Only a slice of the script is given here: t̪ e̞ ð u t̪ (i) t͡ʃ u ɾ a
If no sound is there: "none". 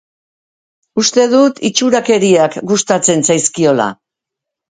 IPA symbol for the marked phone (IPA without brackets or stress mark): i